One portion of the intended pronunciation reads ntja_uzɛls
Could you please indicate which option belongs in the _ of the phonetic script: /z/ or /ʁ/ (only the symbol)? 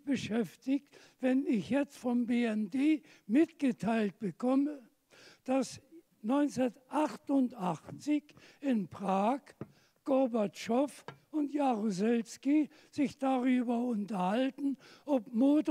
ʁ